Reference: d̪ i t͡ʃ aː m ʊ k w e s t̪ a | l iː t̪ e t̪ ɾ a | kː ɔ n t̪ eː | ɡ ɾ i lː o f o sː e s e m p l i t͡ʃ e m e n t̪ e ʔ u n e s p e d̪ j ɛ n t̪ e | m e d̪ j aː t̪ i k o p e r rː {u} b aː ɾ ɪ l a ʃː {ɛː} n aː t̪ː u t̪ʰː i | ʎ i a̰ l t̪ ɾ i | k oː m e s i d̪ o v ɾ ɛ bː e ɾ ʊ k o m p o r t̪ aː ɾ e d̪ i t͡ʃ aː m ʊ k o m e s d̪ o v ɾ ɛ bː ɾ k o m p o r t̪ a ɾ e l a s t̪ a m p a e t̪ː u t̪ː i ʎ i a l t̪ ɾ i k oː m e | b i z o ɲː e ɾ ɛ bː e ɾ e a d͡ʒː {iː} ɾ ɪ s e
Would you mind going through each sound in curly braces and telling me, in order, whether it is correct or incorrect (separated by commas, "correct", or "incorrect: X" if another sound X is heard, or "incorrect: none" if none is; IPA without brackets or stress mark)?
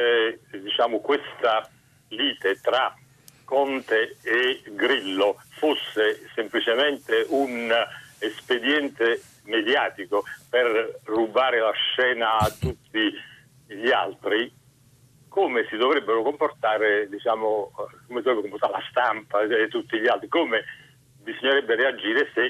correct, correct, correct